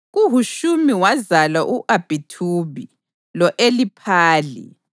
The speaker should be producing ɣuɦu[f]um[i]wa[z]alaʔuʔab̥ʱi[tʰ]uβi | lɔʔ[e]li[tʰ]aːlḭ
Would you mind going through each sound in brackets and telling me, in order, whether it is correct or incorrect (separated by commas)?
incorrect, correct, correct, correct, correct, incorrect